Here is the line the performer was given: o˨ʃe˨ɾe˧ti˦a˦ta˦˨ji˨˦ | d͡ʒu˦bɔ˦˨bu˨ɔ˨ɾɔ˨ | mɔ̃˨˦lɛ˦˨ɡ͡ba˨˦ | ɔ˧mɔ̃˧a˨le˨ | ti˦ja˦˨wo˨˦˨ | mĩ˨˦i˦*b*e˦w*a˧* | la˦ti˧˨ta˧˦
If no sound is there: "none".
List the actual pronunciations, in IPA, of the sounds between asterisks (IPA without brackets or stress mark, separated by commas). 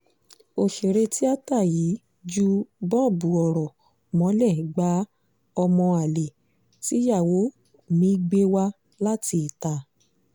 ɡ͡b, a˧